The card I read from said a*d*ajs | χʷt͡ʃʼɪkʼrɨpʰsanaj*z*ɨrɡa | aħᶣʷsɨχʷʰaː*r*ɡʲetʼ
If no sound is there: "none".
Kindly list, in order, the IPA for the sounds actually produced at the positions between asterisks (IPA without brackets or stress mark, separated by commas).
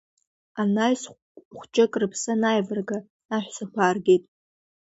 n, v, r